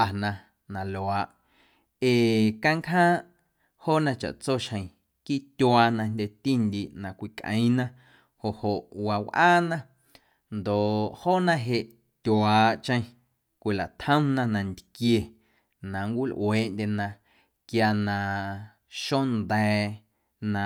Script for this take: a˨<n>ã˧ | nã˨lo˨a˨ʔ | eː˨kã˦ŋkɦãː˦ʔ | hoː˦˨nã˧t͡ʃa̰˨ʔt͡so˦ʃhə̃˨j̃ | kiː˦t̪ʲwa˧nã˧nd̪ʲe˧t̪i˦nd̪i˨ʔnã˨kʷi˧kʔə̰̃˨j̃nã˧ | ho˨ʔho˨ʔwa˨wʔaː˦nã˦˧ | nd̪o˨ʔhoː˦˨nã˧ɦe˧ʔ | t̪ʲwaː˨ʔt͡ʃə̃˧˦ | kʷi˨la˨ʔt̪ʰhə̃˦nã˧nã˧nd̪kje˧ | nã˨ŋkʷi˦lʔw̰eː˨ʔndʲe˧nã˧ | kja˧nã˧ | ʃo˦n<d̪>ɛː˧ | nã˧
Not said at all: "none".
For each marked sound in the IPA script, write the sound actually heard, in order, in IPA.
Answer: n, d̪

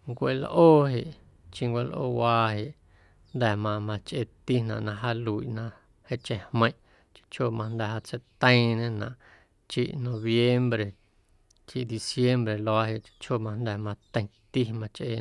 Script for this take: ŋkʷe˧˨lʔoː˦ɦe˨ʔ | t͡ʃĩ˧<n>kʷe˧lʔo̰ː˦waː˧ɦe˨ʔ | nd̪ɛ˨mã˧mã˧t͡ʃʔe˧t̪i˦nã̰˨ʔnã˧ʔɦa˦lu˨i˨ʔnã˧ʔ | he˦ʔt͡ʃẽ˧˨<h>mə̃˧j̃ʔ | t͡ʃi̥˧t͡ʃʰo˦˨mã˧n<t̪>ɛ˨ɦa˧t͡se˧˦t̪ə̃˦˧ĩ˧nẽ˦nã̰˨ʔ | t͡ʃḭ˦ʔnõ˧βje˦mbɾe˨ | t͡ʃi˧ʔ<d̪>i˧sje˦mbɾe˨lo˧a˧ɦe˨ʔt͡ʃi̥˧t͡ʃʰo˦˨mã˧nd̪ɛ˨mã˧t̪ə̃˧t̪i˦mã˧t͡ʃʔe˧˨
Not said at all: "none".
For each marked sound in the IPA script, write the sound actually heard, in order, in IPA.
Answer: ŋ, h, d̪, d̪

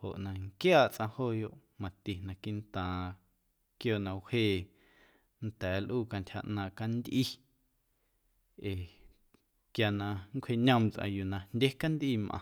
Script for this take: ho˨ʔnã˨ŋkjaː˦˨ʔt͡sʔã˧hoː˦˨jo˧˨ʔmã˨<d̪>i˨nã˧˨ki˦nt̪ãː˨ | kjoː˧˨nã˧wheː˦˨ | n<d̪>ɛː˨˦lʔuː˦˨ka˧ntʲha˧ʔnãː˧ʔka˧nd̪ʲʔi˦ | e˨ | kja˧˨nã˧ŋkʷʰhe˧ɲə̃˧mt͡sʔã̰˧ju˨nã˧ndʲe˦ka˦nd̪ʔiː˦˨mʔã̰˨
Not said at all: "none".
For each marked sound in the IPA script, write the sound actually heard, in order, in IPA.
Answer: t̪, t̪

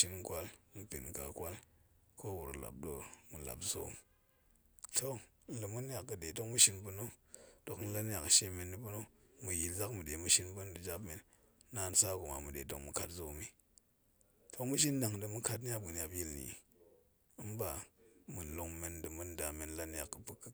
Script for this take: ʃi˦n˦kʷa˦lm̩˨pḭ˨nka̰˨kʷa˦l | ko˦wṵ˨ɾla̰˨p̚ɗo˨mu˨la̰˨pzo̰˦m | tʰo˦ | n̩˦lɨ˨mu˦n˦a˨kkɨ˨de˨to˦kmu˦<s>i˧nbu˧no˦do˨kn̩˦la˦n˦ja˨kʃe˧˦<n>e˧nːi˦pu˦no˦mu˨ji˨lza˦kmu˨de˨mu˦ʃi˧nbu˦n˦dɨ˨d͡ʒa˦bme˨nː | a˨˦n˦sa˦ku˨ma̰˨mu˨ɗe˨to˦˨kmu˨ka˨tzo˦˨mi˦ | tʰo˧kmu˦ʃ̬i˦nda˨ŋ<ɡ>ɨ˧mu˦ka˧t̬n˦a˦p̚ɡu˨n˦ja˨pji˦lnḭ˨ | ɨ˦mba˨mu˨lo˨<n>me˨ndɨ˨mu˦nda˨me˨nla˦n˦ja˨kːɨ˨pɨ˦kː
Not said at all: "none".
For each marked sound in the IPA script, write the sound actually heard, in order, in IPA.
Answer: ʃ, m, d, ŋ

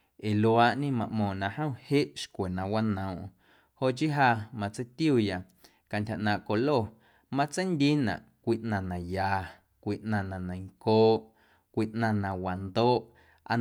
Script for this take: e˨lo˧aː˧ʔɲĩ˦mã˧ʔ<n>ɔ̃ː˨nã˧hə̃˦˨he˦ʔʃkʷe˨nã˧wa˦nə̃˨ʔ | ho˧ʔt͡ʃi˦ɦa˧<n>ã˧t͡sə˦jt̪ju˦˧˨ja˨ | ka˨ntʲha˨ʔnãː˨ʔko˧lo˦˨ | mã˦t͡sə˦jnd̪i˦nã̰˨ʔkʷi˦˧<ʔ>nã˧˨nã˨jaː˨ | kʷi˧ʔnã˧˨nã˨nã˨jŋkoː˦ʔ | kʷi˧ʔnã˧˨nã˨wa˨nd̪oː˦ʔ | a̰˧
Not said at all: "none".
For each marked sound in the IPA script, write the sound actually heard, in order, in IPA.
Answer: m, m, ʔ

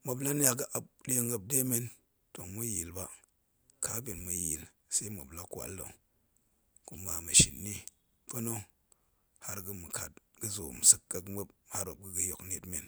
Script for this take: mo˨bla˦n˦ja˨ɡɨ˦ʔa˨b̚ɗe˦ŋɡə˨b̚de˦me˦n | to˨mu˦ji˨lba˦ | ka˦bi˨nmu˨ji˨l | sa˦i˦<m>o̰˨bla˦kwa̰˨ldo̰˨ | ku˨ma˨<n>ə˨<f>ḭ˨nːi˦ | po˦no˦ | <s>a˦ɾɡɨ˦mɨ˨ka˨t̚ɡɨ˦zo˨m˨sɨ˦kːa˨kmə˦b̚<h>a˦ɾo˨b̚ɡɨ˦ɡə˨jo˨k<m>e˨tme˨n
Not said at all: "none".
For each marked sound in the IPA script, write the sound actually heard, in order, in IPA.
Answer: m, m, ʃ, h, h, n

